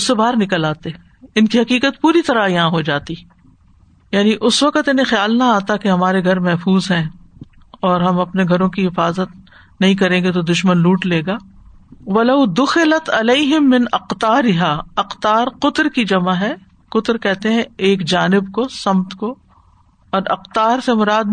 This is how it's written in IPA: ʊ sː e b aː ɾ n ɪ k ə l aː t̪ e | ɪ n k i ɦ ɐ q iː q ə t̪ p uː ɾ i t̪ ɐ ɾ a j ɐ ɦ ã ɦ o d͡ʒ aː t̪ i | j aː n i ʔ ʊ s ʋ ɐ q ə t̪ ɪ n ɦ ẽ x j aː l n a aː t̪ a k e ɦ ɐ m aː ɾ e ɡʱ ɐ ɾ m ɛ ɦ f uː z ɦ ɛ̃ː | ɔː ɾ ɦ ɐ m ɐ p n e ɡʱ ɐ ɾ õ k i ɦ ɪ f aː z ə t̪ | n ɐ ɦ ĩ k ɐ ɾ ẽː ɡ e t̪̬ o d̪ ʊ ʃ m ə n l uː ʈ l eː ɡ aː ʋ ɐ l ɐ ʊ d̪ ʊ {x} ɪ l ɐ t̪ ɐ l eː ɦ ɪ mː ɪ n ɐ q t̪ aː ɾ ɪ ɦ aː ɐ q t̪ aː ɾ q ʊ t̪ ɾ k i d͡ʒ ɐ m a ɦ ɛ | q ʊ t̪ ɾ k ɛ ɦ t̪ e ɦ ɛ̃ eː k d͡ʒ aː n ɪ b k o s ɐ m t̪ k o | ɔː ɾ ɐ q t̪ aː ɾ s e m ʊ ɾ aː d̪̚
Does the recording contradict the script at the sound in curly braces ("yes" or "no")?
no